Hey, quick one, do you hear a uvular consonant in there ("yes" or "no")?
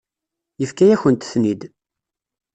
no